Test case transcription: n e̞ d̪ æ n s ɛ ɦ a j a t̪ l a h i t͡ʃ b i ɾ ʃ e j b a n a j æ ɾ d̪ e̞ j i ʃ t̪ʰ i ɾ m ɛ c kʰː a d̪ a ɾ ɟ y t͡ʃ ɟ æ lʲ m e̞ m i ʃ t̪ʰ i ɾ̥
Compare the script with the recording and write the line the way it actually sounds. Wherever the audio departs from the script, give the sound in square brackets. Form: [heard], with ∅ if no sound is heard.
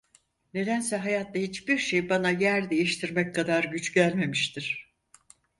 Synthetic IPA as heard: n e̞ d̪ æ n s ɛ ɦ a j a t̪ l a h i t͡ʃ b i ɾ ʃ e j b a n a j æ ɾ d̪ e̞ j i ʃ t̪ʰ i ɾ m ɛ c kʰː a d̪ a ɾ ɟ y t͡ʃ ɟ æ lʲ m e̞ m i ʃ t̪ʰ i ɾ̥